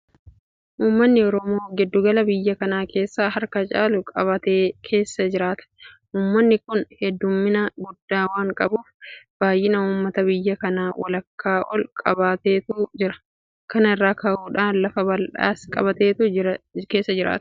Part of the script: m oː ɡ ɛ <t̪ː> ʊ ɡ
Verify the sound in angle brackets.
incorrect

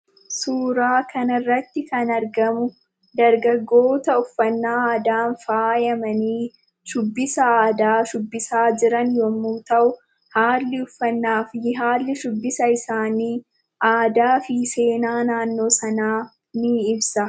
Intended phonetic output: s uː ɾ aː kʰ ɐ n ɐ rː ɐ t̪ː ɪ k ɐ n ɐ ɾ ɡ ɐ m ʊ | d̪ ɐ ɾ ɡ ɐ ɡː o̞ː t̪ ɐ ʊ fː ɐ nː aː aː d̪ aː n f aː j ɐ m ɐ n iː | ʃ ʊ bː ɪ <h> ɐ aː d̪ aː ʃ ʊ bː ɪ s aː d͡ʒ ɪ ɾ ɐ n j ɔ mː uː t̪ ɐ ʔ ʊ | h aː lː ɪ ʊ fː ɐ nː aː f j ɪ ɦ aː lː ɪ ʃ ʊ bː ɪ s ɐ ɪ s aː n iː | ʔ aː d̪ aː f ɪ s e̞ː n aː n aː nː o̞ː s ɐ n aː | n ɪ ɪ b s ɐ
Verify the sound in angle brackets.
incorrect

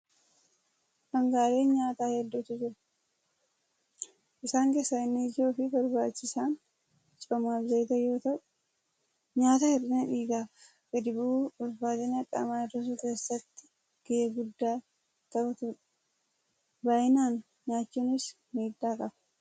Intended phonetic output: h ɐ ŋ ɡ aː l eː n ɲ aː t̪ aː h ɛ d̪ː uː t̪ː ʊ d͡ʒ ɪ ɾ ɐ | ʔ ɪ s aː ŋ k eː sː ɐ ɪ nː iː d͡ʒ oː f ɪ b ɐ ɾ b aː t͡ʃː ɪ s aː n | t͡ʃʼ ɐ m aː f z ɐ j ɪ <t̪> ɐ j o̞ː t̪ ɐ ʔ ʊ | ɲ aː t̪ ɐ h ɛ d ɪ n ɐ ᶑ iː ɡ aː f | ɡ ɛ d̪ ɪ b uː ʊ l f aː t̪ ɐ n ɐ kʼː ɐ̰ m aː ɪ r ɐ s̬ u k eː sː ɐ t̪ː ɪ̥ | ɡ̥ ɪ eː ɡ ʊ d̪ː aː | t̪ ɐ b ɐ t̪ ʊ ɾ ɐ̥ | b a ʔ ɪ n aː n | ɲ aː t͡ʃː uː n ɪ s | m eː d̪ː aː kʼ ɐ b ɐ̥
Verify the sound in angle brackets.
correct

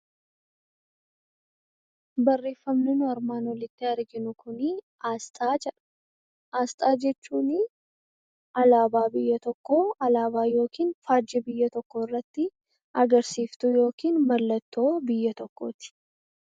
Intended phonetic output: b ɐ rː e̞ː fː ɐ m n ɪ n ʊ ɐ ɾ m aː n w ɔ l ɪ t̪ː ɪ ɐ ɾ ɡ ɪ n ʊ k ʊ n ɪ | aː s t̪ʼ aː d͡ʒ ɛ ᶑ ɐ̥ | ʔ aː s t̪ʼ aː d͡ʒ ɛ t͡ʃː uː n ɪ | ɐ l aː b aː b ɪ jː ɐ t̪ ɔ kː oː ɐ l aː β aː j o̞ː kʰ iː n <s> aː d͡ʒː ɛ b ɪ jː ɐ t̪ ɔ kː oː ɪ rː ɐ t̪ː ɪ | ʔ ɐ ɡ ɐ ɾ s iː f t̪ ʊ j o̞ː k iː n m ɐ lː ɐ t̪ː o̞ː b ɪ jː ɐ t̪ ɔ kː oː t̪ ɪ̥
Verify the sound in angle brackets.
incorrect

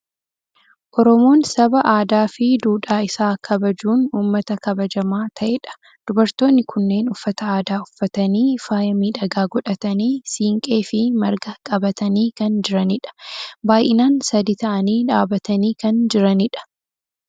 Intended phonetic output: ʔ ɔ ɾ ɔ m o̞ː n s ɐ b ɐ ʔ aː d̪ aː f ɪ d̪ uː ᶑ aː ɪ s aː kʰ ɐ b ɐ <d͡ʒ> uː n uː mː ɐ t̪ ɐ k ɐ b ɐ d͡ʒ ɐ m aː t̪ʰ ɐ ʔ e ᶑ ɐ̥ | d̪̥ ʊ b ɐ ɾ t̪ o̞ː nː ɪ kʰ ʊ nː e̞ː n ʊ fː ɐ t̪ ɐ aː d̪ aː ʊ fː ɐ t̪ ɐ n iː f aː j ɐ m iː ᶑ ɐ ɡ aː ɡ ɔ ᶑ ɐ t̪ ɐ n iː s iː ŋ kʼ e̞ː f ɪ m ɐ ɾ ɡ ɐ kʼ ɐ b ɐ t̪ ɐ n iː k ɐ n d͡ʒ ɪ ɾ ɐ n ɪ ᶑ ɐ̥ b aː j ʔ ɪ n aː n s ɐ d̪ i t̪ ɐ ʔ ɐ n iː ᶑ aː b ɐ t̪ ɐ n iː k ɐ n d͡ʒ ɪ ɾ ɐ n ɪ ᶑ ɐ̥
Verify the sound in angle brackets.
correct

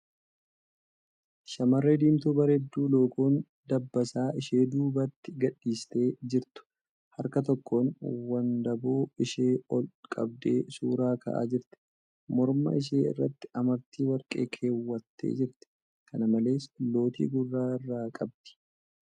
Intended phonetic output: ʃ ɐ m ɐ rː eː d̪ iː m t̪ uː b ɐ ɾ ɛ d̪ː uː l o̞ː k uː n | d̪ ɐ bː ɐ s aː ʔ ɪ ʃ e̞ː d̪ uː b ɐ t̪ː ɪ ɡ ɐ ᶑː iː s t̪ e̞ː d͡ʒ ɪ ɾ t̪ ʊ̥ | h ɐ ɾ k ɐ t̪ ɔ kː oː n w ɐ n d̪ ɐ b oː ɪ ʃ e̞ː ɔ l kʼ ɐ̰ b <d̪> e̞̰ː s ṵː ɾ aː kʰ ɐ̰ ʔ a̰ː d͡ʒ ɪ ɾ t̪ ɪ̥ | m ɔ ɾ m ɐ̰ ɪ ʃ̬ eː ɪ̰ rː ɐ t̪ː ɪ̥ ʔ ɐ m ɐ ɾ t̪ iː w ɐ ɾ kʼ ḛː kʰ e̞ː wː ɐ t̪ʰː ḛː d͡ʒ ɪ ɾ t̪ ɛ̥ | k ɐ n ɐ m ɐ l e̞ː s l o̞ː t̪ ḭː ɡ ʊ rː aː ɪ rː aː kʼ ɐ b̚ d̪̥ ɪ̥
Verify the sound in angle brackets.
correct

